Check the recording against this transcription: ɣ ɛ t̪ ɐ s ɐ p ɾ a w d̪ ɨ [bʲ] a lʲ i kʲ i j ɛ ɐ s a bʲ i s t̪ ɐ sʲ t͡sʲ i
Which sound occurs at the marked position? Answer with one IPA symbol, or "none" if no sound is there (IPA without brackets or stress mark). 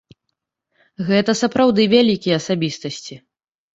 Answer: vʲ